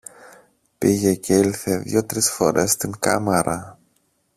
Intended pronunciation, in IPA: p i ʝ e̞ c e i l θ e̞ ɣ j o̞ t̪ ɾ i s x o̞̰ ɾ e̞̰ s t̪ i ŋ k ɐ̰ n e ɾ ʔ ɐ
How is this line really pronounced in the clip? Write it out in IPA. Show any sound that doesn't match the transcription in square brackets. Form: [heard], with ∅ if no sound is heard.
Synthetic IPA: p i ʝ e̞ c e i l θ e̞ [ð] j o̞ t̪ ɾ i s [f] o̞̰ ɾ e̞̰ s t̪ i ŋ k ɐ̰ [m] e ɾ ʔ ɐ